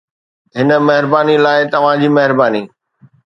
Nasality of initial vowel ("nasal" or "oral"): oral